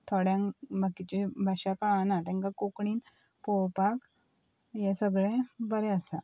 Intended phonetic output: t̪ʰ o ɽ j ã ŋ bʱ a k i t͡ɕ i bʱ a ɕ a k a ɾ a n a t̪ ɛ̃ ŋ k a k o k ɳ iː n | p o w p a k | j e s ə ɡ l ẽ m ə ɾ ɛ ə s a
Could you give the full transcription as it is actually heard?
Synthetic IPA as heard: t̪ʰ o ɽ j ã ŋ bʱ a k i t͡ɕ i bʱ a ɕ a k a ɭ a n a t̪ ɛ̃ ŋ k a k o k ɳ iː n | p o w p a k | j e s ə ɡ ɭ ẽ b ə ɾ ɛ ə s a